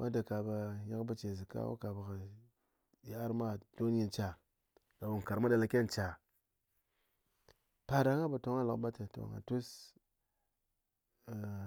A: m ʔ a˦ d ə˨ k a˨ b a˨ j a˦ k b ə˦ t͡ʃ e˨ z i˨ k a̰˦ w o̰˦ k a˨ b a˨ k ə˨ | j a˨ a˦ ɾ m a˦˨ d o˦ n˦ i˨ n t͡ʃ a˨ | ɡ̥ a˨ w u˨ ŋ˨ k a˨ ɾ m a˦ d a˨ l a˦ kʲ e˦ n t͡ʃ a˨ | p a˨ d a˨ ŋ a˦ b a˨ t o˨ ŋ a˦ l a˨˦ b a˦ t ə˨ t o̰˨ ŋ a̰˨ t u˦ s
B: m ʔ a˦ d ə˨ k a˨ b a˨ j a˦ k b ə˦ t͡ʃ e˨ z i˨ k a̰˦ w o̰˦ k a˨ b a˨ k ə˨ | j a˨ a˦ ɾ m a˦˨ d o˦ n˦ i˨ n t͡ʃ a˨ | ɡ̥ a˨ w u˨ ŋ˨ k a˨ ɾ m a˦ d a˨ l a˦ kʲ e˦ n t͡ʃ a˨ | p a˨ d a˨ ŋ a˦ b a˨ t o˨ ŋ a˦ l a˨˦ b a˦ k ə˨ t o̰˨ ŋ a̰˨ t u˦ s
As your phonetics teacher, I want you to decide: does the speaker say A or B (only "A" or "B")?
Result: A